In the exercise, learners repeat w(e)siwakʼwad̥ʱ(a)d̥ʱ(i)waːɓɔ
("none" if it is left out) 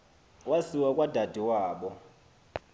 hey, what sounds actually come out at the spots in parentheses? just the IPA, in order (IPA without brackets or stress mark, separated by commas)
a, a, i